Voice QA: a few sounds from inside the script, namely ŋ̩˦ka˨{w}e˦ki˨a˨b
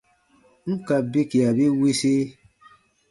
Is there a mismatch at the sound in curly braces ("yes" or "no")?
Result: yes